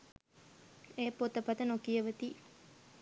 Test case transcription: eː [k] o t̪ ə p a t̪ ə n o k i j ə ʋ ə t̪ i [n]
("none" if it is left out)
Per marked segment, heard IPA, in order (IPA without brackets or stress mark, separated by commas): p, none